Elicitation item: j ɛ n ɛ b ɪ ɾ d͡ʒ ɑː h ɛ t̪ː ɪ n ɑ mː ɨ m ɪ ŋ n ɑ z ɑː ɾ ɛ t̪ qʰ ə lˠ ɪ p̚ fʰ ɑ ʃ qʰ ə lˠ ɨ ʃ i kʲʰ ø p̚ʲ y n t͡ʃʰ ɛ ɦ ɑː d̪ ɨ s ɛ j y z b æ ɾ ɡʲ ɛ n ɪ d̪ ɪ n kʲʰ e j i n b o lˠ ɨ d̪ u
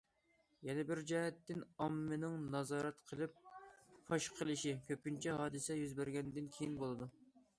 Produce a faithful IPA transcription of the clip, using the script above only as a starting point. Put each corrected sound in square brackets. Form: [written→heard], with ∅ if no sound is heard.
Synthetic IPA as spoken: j ɛ n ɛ b ɪ ɾ d͡ʒ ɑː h ɛ t̪ː ɪ n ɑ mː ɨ [m→n] ɪ ŋ n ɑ z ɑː ɾ ɛ t̪ qʰ ə lˠ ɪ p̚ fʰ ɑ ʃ qʰ ə lˠ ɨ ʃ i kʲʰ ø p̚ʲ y n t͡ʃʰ ɛ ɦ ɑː d̪ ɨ s ɛ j y z b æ ɾ ɡʲ ɛ n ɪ d̪ ɪ n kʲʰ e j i n b o lˠ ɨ d̪ u